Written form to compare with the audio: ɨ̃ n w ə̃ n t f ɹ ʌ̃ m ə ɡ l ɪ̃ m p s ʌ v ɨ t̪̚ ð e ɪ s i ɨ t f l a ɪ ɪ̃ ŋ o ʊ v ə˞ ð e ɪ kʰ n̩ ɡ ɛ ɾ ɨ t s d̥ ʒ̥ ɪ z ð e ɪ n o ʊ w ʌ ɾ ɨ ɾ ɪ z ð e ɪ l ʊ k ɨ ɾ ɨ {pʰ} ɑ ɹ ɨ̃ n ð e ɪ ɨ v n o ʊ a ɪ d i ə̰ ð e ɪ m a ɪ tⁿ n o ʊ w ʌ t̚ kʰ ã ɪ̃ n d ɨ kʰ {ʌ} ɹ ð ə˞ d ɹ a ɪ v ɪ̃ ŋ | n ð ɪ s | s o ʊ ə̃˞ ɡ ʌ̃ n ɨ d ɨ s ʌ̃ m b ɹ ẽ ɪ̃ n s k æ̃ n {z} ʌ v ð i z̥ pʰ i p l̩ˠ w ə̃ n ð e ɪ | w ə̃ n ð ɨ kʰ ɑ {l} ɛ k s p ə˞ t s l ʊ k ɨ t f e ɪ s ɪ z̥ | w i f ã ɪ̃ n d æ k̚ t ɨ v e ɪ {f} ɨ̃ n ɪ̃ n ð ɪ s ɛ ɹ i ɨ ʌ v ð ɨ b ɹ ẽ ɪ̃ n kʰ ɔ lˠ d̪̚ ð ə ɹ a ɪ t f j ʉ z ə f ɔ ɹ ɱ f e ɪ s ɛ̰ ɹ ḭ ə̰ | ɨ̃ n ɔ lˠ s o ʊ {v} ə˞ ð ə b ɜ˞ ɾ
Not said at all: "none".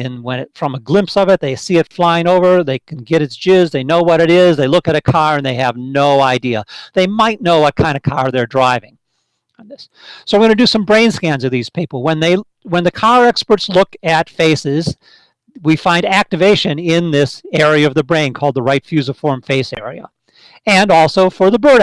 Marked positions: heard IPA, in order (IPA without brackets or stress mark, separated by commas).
kʰ, ɑ, z, ɹ, ʃ, f